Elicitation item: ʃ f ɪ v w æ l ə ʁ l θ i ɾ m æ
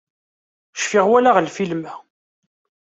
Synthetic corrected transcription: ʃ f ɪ ʁ w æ l a ʁ l f i l m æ